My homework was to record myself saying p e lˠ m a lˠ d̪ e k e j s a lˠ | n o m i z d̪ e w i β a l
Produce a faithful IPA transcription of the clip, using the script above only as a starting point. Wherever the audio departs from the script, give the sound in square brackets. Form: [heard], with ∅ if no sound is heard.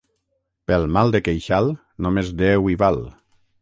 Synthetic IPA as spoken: p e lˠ m a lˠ d̪ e k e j [ʃ] a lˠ | n o m [e] z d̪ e w i β a l